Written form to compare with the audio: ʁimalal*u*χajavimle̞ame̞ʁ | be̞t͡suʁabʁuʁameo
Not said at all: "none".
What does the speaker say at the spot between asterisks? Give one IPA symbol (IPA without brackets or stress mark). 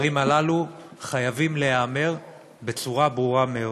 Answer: u